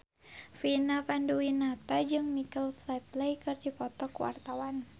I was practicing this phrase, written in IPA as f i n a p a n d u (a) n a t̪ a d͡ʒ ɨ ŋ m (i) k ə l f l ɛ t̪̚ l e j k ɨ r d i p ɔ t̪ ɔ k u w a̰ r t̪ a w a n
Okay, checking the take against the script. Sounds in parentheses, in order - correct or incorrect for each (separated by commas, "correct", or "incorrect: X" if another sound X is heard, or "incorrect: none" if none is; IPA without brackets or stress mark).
incorrect: i, correct